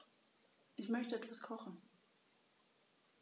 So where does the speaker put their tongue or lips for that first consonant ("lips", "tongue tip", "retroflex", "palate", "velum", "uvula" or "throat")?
throat